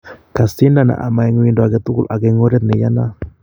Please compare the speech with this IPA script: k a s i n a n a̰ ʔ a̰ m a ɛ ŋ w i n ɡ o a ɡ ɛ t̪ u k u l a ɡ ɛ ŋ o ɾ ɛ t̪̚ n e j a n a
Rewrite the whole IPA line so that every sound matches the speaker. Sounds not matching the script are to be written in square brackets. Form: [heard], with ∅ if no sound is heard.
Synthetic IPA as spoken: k a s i n a n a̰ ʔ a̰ m a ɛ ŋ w i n [d] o a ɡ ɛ t̪ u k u l a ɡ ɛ ŋ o ɾ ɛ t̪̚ n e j a n a